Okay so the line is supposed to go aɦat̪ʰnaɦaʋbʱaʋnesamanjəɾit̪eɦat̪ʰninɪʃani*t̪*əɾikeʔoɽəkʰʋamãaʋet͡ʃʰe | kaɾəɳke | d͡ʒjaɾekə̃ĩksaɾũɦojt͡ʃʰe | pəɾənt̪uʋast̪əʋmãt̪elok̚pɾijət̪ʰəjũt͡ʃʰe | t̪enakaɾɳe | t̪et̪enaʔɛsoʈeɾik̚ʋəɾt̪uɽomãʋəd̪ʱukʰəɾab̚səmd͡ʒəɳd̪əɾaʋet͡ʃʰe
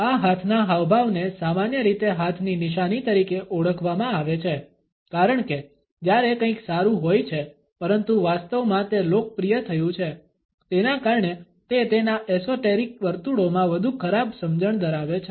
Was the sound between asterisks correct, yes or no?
yes